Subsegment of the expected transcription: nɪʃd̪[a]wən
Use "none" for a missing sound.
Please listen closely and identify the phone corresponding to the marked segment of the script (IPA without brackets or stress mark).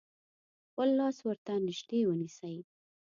e